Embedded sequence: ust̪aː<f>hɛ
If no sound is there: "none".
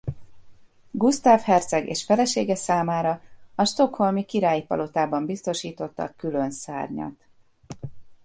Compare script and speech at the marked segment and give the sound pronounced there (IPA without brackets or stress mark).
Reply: f